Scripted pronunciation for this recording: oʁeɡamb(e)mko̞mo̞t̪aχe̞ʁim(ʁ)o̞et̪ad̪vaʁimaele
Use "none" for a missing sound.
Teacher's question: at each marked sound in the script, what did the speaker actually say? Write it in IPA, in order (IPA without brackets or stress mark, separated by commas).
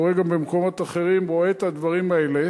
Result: e, ʁ